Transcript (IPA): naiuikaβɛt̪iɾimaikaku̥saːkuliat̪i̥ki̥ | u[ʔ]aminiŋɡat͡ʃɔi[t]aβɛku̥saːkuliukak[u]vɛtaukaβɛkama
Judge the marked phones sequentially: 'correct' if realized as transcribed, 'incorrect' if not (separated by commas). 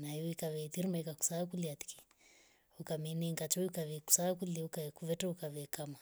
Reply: incorrect, incorrect, correct